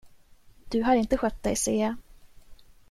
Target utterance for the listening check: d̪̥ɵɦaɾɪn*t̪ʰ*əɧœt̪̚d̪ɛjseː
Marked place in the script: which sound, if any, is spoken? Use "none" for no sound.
t̪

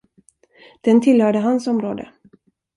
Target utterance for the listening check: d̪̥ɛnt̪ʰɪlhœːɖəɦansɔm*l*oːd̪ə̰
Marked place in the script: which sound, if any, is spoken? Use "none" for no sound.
ɾ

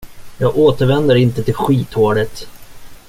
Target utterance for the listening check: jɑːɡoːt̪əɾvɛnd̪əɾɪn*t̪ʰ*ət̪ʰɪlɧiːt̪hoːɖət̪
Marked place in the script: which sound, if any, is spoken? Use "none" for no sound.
t̪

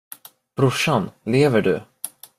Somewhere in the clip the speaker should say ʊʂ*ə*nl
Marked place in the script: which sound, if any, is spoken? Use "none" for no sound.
a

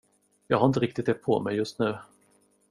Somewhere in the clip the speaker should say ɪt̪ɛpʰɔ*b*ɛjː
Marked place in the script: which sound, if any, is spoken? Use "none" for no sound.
m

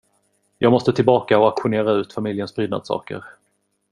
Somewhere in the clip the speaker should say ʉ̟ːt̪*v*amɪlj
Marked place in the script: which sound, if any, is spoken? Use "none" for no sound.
f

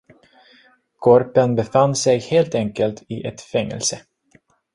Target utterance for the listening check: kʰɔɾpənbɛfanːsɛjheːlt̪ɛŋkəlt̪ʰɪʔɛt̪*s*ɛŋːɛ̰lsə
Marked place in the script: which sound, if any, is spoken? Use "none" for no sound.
f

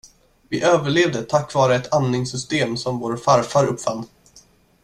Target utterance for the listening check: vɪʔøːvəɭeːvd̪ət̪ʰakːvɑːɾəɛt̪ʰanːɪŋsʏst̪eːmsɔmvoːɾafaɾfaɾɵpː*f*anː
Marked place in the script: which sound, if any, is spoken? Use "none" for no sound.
f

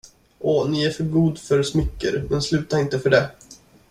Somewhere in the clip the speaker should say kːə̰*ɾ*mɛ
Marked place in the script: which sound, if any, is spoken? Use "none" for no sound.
ɾ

